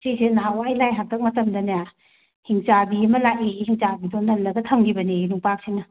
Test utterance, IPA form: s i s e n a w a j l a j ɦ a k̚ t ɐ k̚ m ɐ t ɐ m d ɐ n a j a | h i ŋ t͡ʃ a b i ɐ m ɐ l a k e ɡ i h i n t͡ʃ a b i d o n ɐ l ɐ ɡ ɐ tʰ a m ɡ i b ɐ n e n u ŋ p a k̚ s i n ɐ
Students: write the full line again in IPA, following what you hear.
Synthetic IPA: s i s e n a w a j l a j ɦ a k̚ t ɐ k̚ m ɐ t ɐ m d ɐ n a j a | h i ŋ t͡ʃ a b i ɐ m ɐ l a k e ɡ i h i ŋ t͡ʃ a b i d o n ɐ l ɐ ɡ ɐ tʰ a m ɡ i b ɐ n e n u ŋ p a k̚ s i n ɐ

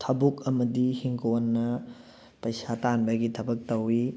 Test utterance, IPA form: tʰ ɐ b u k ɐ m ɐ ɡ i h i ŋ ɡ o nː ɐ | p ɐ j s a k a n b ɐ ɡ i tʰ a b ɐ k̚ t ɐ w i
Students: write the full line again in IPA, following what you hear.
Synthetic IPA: tʰ ɐ b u k ɐ m ɐ d i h i ŋ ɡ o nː ɐ | p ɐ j s a t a n b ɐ ɡ i tʰ ɐ b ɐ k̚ t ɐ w i

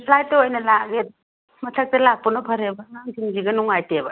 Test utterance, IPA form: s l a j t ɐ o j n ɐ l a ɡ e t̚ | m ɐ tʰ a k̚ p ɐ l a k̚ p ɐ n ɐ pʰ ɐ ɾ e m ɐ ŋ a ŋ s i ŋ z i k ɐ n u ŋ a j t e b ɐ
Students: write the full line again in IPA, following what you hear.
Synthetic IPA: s l a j t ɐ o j n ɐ l a ɡ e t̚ | m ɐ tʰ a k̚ t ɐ l a k̚ p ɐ n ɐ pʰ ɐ ɾ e b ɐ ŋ a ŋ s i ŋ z i ɡ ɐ n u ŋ a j t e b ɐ

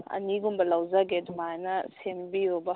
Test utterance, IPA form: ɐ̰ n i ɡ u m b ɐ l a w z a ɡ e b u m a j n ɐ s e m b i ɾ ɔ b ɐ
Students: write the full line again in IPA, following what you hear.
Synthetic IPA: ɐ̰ n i ɡ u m b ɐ l a w z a ɡ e d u m a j n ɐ s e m b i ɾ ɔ b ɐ

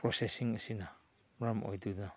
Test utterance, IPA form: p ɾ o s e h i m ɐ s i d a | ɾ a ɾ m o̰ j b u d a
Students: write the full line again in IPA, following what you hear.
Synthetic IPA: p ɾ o s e s i ŋ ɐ s i n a | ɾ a m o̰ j d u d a

